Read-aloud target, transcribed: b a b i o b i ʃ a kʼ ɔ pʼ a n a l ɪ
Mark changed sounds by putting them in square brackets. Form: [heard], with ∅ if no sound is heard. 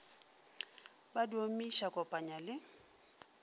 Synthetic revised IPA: b a [d] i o [m] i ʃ a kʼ ɔ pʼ a [ɲ] a l ɪ